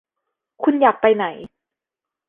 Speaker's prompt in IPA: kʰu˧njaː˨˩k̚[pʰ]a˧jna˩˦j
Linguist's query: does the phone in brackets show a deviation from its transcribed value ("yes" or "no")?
yes